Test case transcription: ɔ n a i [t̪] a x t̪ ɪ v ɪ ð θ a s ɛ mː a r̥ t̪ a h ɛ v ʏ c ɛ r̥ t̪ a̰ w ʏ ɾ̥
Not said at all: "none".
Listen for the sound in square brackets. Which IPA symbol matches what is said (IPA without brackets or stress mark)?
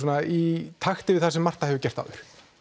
t̪ʰ